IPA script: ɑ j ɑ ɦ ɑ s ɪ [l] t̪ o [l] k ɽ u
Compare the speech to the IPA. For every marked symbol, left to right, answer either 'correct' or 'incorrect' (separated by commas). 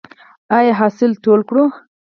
correct, correct